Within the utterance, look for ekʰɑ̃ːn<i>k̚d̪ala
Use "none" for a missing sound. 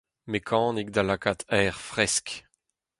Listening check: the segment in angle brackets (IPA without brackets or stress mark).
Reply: i